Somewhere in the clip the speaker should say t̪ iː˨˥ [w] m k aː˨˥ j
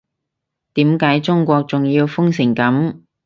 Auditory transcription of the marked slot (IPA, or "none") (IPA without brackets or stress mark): none